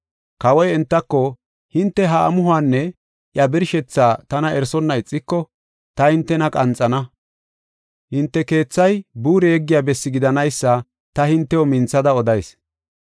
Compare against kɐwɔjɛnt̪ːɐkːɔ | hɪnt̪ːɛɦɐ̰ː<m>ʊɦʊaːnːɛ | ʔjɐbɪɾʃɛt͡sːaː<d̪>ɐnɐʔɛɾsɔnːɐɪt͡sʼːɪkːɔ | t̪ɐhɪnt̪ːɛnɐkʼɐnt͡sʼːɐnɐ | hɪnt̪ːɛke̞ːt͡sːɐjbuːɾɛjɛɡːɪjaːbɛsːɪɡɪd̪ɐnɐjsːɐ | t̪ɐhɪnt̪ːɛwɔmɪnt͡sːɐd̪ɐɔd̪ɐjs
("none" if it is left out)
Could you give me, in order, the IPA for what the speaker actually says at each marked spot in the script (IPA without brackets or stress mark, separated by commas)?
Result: m, t̪